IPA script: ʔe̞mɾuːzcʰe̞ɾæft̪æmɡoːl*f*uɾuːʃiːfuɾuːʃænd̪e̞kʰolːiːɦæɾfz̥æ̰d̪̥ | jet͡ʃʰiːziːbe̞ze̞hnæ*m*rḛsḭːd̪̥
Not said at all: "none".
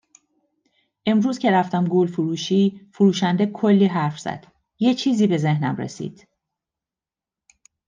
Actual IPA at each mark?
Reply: f, m

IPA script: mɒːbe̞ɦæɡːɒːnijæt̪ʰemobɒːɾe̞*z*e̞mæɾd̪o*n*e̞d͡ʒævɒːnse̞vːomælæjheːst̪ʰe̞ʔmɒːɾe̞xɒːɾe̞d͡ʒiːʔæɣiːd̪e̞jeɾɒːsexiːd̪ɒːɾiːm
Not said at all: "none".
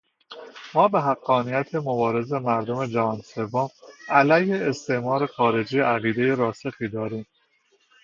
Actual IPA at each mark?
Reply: z, m

